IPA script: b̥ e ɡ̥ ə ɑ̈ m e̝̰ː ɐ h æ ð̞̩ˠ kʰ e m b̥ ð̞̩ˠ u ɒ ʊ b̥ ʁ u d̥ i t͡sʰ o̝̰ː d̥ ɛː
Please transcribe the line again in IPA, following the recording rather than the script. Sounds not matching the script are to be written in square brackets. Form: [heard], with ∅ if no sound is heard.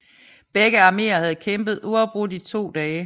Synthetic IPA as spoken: b̥ e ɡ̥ ə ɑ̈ m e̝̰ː ɐ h æ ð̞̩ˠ kʰ e m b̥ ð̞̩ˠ u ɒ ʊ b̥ ʁ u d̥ i t͡sʰ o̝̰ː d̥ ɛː